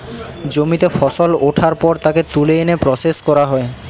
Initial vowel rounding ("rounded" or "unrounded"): rounded